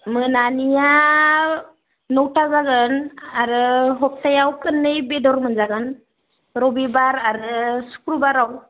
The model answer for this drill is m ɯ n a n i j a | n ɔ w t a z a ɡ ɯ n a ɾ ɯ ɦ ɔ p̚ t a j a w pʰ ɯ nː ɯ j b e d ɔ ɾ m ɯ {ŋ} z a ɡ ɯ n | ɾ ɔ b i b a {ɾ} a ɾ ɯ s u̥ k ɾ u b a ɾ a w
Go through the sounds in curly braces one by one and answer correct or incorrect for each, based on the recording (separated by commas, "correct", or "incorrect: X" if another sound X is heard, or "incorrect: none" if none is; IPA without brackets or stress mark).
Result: incorrect: n, correct